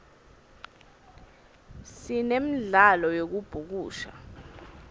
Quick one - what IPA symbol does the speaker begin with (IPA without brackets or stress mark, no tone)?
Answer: s